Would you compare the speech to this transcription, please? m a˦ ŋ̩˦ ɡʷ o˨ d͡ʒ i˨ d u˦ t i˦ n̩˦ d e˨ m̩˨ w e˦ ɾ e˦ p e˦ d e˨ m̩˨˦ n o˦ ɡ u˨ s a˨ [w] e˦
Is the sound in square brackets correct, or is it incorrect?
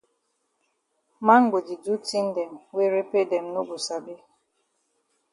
incorrect